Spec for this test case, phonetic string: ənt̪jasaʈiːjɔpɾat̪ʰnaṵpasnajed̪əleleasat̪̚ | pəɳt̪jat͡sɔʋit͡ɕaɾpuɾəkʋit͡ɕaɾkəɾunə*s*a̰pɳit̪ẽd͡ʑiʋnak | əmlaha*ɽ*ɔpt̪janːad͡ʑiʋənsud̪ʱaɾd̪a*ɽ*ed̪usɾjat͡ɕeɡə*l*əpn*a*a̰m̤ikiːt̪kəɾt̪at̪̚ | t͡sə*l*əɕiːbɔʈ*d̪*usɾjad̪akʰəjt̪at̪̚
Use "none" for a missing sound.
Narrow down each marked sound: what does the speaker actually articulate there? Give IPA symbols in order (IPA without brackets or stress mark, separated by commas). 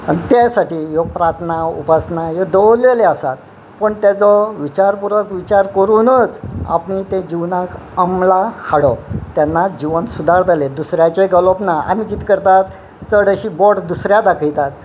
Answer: t͡s, ɽ, l, l, a, ɽ, d̪